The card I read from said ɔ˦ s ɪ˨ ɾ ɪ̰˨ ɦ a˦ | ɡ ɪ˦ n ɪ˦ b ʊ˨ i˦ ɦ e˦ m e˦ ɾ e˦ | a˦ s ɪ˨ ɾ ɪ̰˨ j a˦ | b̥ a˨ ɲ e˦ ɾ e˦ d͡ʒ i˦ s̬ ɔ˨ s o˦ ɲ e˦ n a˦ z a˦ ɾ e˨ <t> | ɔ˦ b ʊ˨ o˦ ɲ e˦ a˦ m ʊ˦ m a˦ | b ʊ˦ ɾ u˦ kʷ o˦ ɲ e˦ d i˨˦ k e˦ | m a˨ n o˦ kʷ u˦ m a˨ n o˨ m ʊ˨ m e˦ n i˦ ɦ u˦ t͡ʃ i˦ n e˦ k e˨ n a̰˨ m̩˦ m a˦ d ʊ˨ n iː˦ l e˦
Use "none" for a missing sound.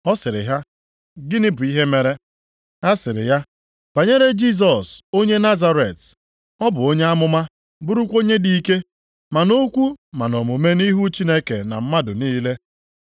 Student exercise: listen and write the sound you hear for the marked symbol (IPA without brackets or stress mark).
t